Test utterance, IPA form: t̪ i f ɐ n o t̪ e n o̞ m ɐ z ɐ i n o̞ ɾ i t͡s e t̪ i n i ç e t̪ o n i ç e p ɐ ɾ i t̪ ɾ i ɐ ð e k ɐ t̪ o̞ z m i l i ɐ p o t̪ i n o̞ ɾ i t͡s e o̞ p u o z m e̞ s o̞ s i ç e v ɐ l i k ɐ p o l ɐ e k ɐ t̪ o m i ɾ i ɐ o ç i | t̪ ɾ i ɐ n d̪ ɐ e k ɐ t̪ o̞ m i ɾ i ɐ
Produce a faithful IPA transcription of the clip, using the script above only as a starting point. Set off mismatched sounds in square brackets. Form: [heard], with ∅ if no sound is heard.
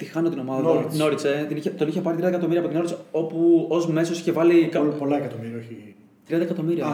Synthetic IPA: t̪ i [x] ɐ n o t̪ [i] n o̞ m ɐ [ð] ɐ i n o̞ ɾ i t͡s e t̪ i n i ç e t̪ o n i ç e p ɐ ɾ i t̪ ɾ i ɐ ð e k ɐ t̪ o̞ [∅] m i [ɾ] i ɐ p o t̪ i n o̞ ɾ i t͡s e o̞ p u o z m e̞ s o̞ s i ç e v ɐ l i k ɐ p o l ɐ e k ɐ t̪ o m i ɾ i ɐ o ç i | t̪ ɾ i ɐ n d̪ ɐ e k ɐ t̪ o̞ m i ɾ i ɐ